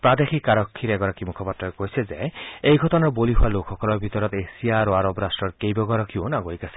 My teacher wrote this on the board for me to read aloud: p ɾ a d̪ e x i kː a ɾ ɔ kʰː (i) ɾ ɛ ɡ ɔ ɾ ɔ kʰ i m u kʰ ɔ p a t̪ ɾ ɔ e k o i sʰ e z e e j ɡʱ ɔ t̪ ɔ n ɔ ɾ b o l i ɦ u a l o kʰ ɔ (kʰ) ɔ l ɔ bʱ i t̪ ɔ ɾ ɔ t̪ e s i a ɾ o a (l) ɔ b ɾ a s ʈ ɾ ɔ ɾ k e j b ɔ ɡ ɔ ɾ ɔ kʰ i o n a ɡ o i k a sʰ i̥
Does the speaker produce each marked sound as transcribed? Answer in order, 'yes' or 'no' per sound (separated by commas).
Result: yes, no, no